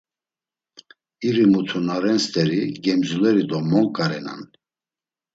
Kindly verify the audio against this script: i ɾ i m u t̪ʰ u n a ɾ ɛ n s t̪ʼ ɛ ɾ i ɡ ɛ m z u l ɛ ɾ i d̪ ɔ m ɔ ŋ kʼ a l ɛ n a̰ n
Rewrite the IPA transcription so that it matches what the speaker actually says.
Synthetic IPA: i ɾ i m u t̪ʰ u n a ɾ ɛ n s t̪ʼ ɛ ɾ i ɡ ɛ m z u l ɛ ɾ i d̪ ɔ m ɔ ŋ kʼ a ɾ ɛ n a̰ n

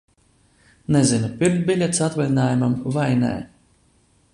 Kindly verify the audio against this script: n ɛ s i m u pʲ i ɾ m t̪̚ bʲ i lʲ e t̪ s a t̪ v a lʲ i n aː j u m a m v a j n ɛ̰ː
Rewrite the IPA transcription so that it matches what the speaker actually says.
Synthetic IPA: n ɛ z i n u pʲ i ɾ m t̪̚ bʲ i lʲ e t̪ s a t̪ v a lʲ i n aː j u m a m v a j n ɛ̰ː

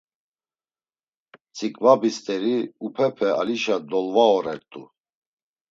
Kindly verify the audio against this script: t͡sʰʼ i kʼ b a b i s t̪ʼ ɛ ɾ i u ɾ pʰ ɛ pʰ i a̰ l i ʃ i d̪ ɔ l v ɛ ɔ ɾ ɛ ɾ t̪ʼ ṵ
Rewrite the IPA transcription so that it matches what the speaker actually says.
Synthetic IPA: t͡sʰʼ i kʼ v a b i s t̪ʼ ɛ ɾ i u pʰ ɛ pʰ ɛ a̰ l i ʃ a d̪ ɔ l v a ɔ ɾ ɛ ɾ t̪ʼ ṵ

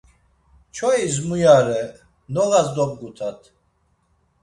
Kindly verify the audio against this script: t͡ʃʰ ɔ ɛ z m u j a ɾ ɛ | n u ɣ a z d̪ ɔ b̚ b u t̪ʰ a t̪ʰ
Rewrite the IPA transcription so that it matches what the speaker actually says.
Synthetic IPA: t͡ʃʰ ɔ i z m u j a ɾ ɛ | n ɔ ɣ a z d̪ ɔ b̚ ɡ u t̪ʰ a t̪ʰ

